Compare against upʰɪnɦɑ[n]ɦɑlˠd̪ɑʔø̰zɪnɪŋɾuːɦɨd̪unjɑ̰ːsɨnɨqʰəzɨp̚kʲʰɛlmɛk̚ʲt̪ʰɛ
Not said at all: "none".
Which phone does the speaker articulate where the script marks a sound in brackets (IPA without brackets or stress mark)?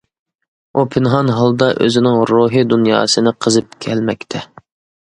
n